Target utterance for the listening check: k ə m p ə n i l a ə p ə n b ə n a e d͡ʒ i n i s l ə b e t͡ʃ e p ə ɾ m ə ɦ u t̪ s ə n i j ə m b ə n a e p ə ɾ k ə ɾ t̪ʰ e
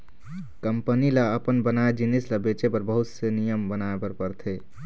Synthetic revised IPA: k ə m p ə n i l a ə p ə n b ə n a e d͡ʒ i n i s l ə b e t͡ʃ e p ə ɾ b ə ɦ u t̪ s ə n i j ə m b ə n a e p ə ɾ p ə ɾ t̪ʰ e